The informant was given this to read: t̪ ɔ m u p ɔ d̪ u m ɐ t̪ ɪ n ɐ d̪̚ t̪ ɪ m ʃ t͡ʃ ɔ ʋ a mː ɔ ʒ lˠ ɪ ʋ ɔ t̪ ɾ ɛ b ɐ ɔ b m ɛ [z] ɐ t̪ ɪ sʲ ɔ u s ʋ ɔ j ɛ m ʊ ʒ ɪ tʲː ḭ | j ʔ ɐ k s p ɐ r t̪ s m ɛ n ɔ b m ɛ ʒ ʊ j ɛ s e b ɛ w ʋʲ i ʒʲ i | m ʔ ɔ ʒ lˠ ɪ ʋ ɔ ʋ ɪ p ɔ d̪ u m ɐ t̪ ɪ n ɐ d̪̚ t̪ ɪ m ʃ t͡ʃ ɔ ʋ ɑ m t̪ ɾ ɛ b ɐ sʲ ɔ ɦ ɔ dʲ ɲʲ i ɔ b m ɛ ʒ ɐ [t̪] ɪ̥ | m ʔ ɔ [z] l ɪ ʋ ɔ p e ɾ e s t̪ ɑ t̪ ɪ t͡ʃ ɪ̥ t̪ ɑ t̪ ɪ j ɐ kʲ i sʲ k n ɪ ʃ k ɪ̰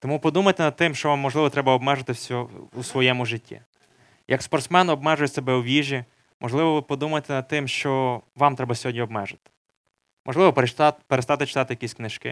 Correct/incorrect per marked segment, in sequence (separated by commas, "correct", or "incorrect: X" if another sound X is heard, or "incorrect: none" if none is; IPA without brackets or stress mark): incorrect: ʒ, correct, incorrect: ʒ